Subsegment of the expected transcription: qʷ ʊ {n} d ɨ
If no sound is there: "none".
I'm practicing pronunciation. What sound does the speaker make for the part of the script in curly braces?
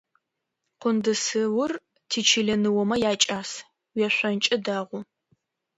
n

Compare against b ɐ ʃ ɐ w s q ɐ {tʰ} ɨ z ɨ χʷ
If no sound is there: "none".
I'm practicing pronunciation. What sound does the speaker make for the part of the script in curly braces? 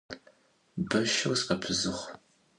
pʰ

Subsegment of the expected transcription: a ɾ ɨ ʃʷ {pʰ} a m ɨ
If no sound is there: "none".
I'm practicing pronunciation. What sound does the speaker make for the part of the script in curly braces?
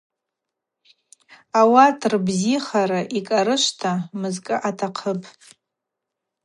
tʰ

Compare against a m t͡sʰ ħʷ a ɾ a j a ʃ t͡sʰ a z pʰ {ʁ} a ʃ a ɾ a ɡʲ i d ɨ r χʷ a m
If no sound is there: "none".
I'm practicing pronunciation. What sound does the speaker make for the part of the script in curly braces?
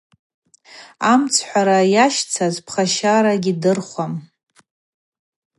χ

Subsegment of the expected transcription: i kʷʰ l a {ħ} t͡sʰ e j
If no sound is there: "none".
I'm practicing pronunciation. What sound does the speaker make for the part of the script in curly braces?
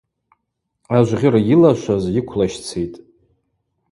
ʃ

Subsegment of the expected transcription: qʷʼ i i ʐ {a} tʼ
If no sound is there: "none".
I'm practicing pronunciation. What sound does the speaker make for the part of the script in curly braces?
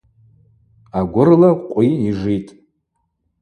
i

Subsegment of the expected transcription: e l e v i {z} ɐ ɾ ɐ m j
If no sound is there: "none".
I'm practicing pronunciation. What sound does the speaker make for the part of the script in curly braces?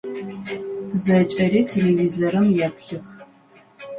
z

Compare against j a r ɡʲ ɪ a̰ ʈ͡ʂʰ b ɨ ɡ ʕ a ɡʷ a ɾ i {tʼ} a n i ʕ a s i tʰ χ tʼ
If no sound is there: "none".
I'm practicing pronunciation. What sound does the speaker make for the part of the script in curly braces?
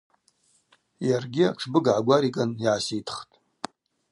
kʼ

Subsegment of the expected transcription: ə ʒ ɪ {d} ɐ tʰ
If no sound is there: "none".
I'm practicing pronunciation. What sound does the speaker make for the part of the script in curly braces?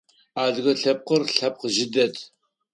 d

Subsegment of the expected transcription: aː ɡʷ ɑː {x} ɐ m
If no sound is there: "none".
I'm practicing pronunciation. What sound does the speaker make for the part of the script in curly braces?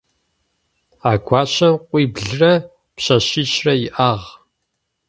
ɕ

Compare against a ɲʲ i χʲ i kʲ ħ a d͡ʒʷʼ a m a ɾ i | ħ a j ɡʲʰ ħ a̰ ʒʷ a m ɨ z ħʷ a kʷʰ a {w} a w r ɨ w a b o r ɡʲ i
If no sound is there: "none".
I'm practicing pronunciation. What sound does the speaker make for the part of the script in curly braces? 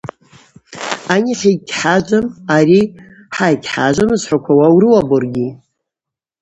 w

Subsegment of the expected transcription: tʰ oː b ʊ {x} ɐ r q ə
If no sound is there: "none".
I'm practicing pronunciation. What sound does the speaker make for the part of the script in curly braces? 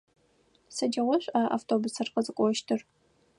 s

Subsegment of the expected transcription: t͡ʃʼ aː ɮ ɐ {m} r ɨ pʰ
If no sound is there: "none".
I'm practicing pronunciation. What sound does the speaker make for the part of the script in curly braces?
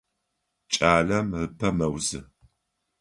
m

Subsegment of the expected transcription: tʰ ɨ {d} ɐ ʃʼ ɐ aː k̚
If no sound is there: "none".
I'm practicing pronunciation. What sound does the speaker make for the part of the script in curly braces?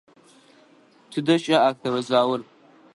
d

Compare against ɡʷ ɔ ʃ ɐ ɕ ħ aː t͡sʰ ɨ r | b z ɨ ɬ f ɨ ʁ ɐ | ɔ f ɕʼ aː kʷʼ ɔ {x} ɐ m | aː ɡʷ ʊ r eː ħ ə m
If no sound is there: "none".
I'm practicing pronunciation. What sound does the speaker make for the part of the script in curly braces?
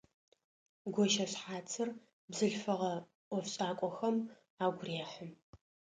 x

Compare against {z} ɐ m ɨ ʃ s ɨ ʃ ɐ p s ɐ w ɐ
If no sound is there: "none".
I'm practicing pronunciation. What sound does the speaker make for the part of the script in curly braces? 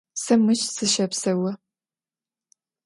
s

